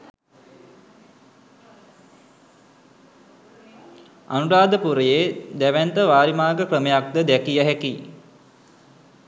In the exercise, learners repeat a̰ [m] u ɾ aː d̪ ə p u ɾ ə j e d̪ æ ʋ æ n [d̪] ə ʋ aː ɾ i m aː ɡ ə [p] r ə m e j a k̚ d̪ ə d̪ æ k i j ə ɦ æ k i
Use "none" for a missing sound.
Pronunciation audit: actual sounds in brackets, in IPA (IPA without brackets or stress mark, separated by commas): n, t̪, k